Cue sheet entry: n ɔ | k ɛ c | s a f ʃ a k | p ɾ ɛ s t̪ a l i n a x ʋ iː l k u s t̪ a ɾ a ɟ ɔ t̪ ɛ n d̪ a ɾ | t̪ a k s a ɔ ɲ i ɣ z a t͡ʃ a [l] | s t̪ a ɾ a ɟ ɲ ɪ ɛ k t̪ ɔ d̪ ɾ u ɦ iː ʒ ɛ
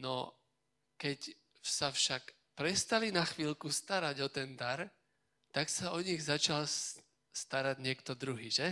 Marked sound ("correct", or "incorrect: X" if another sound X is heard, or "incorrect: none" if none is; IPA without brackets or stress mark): correct